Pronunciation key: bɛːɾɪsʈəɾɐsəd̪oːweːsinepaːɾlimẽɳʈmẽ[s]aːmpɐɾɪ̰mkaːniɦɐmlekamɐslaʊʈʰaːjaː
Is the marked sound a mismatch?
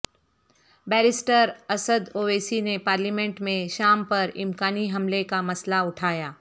yes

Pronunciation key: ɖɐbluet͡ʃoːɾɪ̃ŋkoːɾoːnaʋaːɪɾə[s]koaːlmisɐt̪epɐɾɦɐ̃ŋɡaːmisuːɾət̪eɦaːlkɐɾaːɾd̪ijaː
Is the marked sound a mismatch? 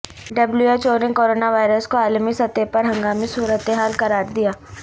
no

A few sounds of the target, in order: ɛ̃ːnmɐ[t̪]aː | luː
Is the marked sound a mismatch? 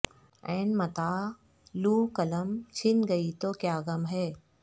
no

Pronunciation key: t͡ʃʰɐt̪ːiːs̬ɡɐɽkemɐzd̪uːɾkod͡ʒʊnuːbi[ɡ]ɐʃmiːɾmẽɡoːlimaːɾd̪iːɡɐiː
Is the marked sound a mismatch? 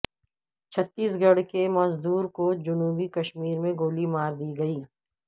yes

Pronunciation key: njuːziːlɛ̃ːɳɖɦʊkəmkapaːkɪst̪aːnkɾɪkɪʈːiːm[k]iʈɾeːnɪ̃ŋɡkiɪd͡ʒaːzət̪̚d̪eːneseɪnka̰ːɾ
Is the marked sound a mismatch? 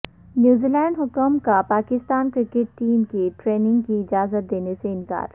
no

